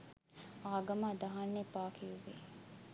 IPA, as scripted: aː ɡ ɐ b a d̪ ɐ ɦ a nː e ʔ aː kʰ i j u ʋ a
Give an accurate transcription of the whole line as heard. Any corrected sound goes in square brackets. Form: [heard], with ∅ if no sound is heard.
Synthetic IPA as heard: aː ɡ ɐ [m] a d̪ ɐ ɦ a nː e [p] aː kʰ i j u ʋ [e]